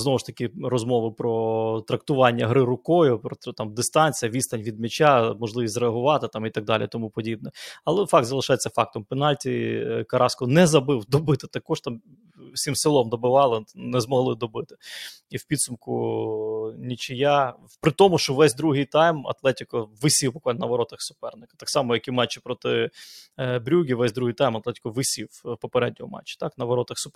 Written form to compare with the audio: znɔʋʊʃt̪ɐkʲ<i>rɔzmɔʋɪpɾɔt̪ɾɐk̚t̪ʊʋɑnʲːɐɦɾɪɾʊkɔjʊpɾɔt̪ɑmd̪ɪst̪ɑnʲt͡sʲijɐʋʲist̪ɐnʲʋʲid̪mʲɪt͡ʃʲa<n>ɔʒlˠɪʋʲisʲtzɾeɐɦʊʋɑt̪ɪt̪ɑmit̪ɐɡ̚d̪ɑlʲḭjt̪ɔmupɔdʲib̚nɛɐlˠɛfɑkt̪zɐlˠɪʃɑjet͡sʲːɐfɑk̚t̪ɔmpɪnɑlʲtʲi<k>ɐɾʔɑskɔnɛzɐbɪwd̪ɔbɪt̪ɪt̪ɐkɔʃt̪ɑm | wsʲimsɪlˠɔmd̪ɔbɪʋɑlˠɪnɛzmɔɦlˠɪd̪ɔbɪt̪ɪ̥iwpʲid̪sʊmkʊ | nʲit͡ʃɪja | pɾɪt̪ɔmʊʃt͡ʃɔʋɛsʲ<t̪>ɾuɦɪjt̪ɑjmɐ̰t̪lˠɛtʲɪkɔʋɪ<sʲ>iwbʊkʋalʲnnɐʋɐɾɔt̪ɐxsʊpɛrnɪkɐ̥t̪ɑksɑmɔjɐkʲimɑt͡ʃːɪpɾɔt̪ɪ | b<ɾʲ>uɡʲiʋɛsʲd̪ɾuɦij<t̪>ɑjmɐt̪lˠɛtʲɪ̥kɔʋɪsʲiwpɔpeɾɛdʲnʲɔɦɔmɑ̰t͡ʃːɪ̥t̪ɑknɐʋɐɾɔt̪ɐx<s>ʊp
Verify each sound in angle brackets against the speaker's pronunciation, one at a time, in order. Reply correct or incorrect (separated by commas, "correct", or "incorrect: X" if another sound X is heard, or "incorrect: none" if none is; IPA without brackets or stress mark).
incorrect: ɪ, incorrect: m, correct, incorrect: d̪, correct, correct, correct, correct